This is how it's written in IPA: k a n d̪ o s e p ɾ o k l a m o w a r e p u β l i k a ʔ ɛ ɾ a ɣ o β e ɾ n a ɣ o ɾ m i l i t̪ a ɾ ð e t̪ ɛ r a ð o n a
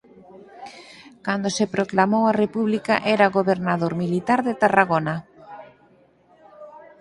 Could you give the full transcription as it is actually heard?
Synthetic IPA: k a n d̪ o s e p ɾ o k l a m o w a r e p u β l i k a ʔ ɛ ɾ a ɣ o β e ɾ n a ð o ɾ m i l i t̪ a ɾ ð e t̪ a r a ɣ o n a